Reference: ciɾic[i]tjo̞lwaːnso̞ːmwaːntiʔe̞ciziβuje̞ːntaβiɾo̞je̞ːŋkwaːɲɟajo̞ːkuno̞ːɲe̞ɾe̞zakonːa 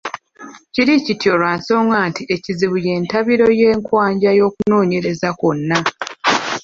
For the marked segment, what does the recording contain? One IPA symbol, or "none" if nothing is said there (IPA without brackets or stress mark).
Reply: i